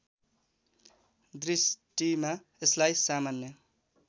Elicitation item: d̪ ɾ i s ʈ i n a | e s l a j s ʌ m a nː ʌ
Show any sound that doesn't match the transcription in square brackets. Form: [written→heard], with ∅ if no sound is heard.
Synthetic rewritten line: d̪ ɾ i s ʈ i [n→m] a | e s l a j s [ʌ→a] m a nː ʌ